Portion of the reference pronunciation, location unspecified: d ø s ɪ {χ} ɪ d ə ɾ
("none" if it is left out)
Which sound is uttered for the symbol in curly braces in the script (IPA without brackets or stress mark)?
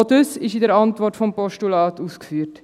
ʃ